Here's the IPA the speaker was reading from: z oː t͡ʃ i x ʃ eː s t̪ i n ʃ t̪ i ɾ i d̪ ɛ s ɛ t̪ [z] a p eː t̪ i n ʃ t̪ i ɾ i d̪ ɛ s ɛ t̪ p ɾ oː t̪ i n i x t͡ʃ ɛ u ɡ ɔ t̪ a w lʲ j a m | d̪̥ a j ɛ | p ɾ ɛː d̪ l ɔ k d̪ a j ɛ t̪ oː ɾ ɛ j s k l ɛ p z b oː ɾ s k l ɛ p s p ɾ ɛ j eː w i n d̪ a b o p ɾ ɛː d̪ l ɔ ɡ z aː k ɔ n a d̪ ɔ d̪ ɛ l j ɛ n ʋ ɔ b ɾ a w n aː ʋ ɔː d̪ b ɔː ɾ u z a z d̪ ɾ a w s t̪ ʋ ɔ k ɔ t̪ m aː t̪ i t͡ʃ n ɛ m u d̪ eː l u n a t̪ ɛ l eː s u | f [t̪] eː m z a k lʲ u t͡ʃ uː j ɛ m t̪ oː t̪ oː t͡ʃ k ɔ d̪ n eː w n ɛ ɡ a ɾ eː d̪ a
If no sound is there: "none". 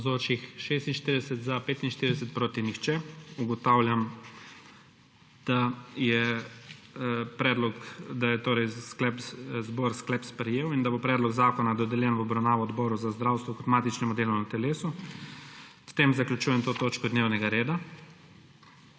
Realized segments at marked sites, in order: z, t̪

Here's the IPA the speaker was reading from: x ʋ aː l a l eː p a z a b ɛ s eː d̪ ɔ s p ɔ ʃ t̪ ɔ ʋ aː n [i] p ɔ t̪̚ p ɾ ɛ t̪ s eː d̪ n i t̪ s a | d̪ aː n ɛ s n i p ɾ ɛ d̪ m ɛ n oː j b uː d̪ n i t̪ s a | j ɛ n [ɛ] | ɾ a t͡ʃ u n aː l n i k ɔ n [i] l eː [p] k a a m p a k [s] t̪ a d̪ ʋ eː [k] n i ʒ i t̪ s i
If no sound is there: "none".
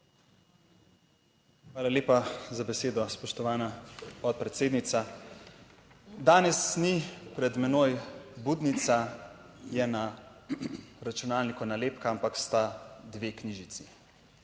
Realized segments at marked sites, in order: a, a, a, p, s, k

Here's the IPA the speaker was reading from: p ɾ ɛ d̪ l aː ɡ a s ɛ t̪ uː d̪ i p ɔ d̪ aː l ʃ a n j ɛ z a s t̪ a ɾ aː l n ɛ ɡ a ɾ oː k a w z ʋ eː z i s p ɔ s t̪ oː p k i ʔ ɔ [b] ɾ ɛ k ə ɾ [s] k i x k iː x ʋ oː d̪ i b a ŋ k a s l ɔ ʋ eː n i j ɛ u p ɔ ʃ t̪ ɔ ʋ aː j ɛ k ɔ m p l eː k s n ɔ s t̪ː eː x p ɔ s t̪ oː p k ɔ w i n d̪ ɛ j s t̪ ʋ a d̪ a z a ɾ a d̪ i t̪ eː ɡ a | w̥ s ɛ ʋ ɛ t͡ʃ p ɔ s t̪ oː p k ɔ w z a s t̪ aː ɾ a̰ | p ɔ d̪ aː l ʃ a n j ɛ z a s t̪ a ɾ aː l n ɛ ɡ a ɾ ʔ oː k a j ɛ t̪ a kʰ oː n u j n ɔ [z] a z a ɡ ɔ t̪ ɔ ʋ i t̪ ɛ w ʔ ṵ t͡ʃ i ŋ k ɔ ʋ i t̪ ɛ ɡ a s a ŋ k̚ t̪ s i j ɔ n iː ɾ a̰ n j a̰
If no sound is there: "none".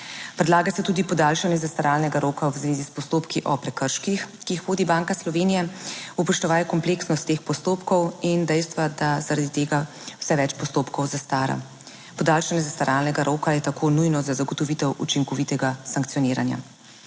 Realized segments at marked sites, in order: p, ʃ, z

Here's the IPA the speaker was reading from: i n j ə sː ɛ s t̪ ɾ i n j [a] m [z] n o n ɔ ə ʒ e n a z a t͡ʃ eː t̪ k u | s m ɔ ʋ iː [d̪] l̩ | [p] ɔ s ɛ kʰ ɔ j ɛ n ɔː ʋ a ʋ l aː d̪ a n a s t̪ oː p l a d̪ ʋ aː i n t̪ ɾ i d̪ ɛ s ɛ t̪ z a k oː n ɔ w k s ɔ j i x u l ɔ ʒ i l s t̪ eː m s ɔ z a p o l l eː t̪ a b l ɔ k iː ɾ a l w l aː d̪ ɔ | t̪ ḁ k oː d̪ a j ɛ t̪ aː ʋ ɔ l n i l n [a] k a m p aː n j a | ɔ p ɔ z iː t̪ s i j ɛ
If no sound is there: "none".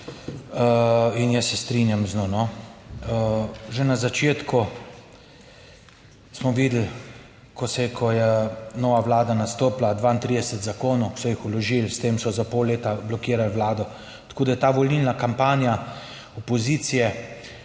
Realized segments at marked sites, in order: a, z, d̪, k, a

